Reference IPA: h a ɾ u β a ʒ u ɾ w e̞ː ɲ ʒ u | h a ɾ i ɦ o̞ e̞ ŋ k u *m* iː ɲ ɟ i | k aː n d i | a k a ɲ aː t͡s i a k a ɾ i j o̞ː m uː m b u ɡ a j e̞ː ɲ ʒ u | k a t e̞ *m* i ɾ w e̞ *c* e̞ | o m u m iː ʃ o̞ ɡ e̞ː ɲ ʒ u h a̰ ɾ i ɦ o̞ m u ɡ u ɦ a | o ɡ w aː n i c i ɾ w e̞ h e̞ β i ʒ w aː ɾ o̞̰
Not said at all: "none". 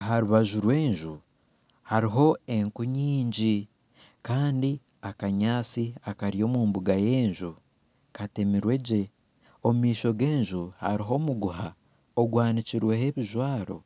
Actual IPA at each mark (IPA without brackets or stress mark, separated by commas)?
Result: ɲ, m, ɟ